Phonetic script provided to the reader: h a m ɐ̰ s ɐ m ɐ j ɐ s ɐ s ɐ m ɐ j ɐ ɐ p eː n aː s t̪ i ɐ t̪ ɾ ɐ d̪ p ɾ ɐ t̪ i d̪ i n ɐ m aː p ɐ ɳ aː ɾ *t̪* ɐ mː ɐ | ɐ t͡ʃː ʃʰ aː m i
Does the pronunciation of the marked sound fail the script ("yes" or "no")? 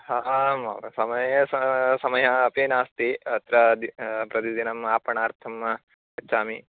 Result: yes